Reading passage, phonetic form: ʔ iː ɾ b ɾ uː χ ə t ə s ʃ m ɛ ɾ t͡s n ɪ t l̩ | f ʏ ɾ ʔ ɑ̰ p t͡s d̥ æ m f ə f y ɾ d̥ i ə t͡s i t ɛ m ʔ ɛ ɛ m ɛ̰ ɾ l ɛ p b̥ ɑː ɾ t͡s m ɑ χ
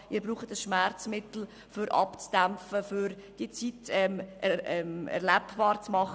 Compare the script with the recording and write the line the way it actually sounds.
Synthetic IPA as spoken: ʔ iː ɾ b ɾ uː χ ə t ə s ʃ m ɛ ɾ t͡s m ɪ t l̩ | f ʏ ɾ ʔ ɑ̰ p t͡s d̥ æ m f ə f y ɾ d̥ i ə t͡s i t ɛ m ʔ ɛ ɛ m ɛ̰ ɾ l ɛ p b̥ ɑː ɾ t͡s m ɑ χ

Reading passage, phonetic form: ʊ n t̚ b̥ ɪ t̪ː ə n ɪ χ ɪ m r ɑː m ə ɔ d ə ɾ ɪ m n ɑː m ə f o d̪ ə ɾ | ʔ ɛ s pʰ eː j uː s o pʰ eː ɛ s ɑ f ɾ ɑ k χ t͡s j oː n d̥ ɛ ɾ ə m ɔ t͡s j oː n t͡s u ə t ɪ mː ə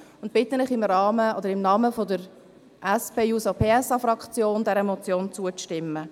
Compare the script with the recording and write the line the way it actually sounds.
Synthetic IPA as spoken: ʊ n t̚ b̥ ɪ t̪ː ə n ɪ χ ɪ m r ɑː m ə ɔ d ə ɾ ɪ m n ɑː m ə f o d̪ ə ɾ | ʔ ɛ s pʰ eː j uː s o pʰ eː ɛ s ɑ f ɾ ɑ k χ t͡s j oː n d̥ ɛ ɾ ə m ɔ t͡s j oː n t͡s u ə t ɪ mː ə

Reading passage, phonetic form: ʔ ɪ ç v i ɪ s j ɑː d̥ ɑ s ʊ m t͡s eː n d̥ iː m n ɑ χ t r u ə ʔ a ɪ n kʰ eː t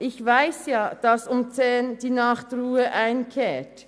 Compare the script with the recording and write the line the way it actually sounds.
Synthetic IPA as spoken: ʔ ɪ ç v a ɪ s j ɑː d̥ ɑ s ʊ m t͡s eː n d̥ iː n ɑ χ t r uː ə ʔ a ɪ n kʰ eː t

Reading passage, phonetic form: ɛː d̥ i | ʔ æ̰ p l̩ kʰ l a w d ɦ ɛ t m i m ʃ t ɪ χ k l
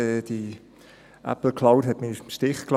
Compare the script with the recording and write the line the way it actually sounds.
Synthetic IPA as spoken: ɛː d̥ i | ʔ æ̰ p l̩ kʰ l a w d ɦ ɛ t m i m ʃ t ɪ χ k l

